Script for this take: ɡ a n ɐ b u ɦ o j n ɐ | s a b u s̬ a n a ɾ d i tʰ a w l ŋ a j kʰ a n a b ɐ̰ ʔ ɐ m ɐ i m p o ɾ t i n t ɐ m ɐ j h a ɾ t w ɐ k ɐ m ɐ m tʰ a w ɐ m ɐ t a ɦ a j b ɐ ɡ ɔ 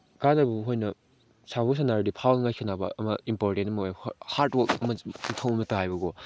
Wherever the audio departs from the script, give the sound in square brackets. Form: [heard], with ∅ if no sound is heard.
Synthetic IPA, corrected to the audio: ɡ a n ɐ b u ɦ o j n ɐ | s a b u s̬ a n a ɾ d i [pʰ] a w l ŋ a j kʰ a n a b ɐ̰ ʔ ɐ m ɐ i m p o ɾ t [e] n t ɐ m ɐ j h a ɾ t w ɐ k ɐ m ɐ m tʰ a w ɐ m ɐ t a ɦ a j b ɐ ɡ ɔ